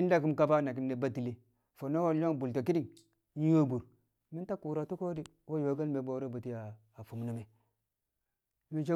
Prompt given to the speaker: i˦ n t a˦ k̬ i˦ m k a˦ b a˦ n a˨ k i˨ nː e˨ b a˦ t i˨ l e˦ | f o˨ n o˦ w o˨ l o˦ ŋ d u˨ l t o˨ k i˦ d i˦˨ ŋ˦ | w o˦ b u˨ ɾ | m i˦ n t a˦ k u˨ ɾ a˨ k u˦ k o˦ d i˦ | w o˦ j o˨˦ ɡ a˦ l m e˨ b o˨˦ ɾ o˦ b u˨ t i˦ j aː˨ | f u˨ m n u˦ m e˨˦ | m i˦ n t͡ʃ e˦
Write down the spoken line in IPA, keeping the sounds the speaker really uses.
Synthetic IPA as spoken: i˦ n d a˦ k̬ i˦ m k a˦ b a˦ n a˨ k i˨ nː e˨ b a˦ t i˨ l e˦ | f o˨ n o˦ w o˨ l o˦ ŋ b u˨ l t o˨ k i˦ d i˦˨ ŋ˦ | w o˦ b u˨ ɾ | m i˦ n t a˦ k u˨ ɾ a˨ t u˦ k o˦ d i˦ | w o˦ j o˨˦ ɡ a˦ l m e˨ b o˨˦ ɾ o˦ b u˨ t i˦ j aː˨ | f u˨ m n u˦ m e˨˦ | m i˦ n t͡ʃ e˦

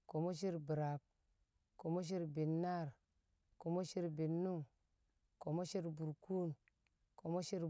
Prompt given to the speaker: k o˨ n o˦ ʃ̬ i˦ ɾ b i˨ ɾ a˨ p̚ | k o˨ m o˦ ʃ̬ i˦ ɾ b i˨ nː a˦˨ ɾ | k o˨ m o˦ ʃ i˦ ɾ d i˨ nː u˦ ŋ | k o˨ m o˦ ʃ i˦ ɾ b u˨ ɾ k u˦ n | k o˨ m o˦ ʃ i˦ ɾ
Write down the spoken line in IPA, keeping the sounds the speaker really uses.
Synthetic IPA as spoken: k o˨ m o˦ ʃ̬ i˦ ɾ b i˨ ɾ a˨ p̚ | k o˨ m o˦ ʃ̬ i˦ ɾ b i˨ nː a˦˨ ɾ | k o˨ m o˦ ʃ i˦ ɾ b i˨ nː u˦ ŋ | k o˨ m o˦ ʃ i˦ ɾ b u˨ ɾ k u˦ n | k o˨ m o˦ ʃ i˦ ɾ

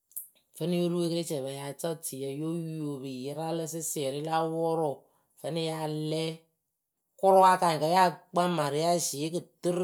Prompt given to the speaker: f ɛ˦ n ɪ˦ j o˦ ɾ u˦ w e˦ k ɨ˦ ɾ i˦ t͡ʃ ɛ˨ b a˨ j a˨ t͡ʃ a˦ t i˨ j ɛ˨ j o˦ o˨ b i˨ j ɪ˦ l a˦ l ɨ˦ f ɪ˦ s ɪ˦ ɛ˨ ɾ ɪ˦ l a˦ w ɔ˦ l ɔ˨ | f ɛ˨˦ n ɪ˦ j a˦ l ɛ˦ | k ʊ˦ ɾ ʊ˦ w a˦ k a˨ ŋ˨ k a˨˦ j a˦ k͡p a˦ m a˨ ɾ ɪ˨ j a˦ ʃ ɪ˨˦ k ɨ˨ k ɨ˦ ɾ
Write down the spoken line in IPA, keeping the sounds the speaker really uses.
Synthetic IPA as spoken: f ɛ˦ n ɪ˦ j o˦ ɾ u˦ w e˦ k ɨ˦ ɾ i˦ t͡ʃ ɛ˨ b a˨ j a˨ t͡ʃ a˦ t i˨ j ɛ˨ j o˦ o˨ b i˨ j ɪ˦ ɾ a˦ l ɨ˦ s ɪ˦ s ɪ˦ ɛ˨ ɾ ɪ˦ l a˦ w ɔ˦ ɾ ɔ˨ | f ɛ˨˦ n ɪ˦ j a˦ l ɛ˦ | k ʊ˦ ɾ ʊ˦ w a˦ k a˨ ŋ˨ k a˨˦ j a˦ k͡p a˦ m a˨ ɾ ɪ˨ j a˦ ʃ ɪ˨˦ k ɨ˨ t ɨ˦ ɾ

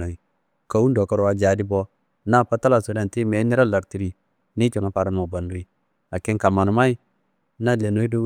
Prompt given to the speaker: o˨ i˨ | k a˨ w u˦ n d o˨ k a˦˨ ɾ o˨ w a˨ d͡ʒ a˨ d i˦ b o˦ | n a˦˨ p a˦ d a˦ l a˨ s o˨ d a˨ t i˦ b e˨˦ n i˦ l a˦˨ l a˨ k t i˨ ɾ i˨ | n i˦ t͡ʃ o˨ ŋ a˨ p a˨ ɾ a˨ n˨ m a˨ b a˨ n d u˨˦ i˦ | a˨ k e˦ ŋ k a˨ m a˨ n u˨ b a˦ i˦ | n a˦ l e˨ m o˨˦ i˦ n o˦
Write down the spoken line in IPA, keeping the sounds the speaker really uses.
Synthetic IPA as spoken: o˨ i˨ | k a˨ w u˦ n d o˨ k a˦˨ ɾ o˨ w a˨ d͡ʒ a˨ d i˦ b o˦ | n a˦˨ p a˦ t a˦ l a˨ s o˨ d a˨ t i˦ m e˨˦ n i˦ ɾ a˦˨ l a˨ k t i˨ ɾ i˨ | n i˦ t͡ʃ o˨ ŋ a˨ p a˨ ɾ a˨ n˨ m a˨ b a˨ n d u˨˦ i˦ | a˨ k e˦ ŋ k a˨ m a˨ n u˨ m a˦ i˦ | n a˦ l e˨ n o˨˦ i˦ d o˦

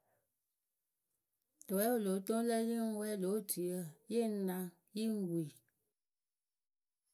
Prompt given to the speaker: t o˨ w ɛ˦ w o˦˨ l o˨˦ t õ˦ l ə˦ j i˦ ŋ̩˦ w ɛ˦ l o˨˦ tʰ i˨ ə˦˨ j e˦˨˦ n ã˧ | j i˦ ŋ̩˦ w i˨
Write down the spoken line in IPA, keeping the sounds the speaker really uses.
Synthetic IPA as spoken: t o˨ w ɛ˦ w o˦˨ l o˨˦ t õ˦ l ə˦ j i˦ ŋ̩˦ w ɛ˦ l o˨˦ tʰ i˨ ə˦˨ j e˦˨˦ n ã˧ | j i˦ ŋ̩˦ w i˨

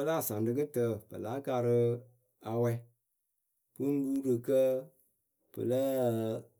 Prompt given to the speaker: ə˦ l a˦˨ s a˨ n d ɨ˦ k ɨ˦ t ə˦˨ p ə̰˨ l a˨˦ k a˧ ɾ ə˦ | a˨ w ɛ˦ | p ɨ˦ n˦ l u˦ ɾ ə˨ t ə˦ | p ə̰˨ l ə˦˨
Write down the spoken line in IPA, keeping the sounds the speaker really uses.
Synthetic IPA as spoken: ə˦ l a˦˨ s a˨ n d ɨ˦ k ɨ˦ t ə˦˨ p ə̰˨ l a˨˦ k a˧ ɾ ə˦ | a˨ w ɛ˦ | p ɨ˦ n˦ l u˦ ɾ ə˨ k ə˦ | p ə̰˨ l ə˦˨

